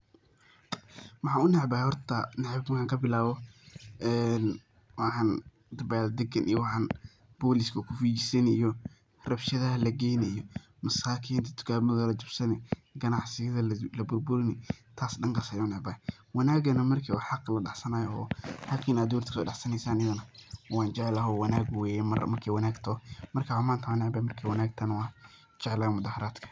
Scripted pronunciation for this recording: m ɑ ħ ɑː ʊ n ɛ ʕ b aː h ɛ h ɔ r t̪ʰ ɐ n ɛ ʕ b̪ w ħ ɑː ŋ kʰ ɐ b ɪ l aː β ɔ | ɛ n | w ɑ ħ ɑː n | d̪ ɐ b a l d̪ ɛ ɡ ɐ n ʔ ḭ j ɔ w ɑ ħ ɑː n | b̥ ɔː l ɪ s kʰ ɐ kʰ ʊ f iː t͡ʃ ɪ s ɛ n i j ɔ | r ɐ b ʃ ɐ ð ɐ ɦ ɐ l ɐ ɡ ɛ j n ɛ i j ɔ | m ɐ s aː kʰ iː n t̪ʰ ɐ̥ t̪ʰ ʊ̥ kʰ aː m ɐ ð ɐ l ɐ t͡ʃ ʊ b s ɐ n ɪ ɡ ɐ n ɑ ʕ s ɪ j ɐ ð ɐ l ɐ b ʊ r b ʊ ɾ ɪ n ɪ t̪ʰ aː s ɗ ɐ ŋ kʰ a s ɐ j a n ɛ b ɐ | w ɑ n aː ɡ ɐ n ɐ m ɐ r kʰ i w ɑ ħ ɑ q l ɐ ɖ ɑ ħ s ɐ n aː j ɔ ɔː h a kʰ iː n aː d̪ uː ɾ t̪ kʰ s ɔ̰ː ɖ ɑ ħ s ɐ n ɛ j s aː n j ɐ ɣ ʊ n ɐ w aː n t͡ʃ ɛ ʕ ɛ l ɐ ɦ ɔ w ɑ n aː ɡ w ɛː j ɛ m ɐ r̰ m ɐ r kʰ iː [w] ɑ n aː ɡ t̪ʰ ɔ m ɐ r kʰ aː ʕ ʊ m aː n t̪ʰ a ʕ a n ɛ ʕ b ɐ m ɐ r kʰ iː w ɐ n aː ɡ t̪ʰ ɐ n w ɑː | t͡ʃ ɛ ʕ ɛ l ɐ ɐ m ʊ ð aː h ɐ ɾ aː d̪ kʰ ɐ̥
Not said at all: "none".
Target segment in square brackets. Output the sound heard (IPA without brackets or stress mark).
w